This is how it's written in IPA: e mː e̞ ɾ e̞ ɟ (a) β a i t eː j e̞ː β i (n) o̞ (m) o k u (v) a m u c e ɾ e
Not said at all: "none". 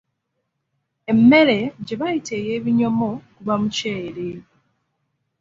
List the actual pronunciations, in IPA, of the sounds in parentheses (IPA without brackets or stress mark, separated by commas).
e, ɲ, m, β